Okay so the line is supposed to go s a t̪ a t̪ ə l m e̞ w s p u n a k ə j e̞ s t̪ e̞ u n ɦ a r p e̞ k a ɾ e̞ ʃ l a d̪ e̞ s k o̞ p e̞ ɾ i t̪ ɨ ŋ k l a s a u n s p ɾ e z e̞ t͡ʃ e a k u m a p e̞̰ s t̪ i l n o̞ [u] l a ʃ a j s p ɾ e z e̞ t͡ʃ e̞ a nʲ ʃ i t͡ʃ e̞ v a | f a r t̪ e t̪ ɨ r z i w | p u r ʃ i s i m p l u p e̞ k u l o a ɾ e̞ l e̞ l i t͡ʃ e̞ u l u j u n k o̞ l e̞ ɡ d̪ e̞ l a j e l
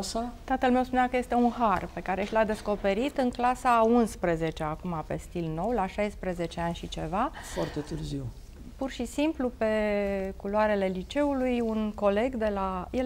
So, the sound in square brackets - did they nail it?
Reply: no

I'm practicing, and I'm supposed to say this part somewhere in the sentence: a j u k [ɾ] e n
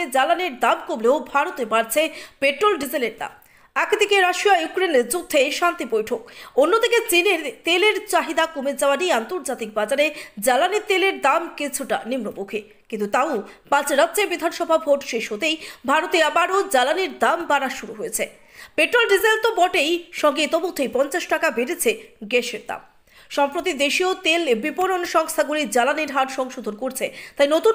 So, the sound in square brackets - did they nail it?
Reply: yes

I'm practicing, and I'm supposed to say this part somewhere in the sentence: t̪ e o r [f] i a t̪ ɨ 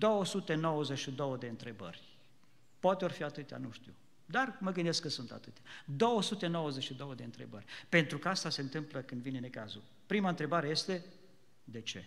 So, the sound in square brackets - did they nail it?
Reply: yes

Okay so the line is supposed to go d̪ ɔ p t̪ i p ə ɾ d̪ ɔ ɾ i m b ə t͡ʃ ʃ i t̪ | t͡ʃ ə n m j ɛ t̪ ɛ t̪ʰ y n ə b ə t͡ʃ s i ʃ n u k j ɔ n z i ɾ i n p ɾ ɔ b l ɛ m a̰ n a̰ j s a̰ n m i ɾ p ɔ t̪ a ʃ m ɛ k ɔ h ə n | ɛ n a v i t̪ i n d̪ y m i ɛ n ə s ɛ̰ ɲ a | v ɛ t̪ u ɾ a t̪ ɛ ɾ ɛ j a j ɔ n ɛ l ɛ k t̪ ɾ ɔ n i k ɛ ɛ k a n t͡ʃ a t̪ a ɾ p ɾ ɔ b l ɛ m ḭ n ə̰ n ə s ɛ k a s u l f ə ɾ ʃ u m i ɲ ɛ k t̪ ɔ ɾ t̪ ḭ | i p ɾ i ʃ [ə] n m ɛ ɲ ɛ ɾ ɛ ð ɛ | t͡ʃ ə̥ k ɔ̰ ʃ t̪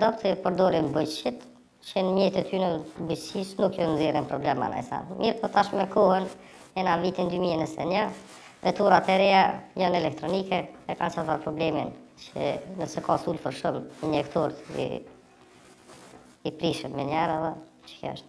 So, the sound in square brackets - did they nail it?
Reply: yes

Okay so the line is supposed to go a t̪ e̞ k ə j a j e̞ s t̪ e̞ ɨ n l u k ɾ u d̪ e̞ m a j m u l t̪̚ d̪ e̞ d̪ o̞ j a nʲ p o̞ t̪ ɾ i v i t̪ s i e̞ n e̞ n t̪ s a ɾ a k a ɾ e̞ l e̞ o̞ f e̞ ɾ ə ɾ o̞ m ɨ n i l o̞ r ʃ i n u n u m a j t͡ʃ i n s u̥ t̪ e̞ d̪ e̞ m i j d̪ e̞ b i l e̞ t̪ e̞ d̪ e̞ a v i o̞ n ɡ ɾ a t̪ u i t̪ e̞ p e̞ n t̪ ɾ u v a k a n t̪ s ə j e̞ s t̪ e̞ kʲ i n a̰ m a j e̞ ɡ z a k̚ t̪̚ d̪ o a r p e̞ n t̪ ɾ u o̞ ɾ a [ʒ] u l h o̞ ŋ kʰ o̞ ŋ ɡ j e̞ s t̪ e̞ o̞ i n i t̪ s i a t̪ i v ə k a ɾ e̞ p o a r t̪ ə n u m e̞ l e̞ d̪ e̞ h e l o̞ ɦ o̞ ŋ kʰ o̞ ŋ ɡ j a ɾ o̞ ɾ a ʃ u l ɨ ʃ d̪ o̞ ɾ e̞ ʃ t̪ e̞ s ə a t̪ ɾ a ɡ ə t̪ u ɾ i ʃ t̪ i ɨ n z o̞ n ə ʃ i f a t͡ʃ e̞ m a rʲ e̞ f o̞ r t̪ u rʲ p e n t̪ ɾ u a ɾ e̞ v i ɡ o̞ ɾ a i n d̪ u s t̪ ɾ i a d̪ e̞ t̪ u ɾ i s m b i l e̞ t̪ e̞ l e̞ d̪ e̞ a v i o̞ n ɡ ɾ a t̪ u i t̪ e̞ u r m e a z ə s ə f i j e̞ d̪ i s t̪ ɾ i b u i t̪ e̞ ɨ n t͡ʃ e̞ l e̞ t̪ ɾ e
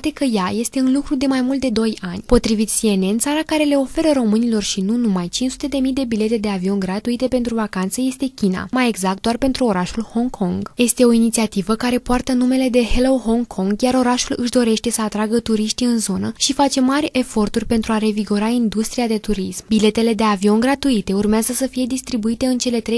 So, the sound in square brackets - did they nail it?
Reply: no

